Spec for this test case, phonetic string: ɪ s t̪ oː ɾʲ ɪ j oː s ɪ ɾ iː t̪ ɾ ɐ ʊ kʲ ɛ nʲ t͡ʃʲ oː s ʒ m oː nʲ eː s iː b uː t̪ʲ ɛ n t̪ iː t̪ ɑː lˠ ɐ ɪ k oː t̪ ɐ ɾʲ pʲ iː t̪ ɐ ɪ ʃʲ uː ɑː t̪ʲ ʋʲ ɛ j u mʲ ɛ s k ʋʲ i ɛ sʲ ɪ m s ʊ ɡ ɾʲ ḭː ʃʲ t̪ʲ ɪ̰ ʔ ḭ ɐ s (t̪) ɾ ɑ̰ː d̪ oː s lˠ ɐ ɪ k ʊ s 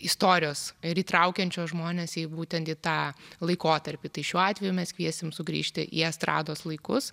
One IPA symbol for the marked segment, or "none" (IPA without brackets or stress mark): t̪